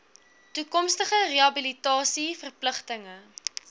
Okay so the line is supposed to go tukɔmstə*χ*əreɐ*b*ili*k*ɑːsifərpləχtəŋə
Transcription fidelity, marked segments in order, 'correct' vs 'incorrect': correct, correct, incorrect: t

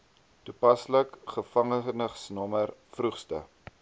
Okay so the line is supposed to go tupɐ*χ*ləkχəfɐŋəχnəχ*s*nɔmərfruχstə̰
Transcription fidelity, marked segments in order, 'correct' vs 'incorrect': incorrect: s, correct

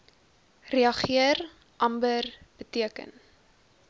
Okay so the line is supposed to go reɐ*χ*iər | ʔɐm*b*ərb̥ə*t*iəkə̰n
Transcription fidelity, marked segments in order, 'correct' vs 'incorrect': correct, correct, correct

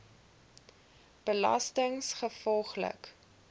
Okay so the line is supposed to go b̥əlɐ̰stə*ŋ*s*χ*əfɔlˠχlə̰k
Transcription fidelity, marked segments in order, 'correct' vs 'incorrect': correct, correct

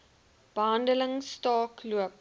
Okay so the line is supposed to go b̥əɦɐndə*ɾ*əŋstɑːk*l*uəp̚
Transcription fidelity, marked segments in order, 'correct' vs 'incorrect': incorrect: l, correct

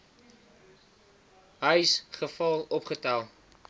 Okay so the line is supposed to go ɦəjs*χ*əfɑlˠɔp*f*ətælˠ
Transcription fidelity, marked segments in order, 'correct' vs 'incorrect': correct, incorrect: χ

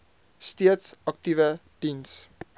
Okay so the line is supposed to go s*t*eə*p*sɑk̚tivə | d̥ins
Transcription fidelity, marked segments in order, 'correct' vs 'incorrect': correct, incorrect: t

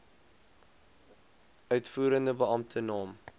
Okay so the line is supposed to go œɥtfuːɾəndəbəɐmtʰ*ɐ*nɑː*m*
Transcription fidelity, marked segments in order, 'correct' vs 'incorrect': incorrect: ə, correct

